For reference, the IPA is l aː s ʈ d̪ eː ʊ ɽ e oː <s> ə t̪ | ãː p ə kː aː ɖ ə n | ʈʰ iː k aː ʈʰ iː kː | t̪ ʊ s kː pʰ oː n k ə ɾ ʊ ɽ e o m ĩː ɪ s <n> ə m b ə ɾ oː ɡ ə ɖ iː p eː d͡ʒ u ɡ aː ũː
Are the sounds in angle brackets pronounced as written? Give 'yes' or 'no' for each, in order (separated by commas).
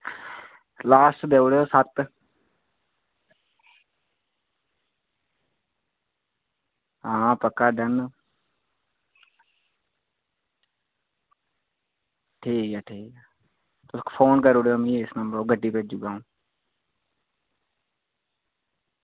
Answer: yes, yes